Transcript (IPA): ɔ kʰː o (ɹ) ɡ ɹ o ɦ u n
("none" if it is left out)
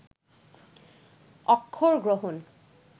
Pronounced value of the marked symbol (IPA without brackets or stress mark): ɹ